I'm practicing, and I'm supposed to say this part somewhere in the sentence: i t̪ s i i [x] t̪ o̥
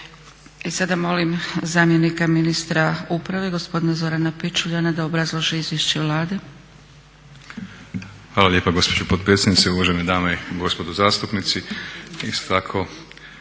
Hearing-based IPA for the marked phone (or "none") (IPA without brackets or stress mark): s